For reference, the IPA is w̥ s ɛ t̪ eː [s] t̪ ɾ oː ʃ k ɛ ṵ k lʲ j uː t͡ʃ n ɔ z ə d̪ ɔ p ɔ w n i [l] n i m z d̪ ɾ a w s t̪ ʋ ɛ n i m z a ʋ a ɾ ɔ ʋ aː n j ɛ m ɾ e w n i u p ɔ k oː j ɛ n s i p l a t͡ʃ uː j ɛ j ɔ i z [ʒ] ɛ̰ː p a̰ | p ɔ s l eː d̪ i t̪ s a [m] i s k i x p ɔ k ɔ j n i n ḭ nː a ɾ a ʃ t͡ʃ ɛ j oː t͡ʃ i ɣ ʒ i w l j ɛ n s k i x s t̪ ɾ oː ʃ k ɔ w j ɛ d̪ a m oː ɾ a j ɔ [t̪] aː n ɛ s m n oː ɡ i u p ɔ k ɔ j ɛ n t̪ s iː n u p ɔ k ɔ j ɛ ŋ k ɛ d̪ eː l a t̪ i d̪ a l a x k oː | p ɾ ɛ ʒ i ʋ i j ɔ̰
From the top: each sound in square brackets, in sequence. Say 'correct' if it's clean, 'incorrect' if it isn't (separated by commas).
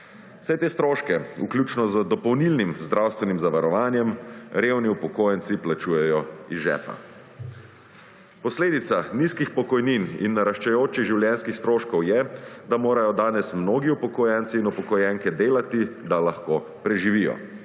correct, correct, correct, incorrect, incorrect